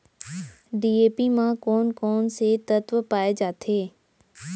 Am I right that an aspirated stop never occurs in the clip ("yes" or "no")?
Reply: no